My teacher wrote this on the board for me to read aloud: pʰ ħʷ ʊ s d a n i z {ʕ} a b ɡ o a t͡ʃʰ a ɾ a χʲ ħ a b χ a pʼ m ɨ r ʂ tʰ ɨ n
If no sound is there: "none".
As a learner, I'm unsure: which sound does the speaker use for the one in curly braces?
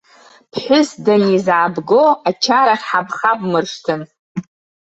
ʕ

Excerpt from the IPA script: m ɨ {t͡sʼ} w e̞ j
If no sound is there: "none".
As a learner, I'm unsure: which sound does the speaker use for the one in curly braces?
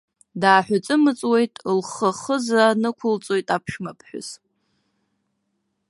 t͡sʼ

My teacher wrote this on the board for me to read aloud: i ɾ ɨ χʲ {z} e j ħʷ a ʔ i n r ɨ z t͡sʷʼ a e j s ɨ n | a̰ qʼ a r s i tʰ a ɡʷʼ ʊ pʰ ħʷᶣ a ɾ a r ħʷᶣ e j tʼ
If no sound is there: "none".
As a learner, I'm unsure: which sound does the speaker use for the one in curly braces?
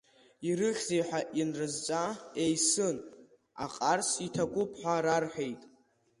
z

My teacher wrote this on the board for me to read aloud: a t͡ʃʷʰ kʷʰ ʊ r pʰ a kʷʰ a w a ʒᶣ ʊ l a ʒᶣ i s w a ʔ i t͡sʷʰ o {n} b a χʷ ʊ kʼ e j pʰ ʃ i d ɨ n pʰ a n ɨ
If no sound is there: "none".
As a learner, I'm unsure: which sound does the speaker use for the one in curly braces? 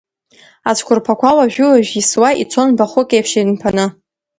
n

